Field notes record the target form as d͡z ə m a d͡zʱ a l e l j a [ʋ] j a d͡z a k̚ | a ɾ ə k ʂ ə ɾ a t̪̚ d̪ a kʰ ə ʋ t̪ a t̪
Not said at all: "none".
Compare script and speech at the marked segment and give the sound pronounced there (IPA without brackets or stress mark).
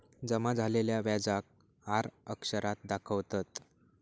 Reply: ʋ